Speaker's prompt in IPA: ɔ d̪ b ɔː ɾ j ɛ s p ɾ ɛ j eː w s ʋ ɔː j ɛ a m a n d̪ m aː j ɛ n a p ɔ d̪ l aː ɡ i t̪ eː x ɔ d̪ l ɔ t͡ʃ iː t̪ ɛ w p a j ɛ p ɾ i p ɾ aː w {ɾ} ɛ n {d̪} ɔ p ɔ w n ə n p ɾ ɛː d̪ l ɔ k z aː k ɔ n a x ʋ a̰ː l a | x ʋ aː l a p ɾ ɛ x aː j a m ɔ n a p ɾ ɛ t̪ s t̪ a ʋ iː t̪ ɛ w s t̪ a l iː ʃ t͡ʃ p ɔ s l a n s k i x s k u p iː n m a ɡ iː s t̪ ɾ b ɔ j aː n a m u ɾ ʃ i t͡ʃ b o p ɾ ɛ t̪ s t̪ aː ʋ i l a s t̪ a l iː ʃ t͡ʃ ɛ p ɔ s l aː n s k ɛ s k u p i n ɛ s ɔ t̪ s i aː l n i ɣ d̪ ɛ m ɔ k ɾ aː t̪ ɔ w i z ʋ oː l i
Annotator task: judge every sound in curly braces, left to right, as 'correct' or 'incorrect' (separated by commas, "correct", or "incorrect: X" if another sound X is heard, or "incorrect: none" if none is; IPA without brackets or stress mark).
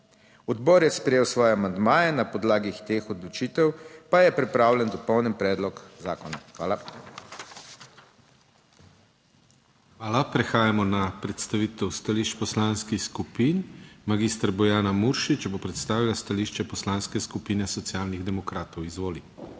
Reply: incorrect: l, correct